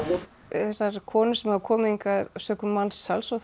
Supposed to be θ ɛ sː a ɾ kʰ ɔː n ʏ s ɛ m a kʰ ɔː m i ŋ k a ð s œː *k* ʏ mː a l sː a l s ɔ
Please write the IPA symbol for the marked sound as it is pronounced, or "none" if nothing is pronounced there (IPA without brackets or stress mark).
k